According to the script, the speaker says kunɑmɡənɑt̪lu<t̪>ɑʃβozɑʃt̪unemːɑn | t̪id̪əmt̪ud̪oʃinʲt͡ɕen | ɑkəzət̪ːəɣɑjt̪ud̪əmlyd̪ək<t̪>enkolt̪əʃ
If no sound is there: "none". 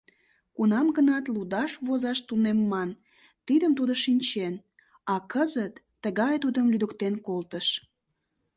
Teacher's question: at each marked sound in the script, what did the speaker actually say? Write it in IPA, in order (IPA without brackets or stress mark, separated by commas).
d̪, t̪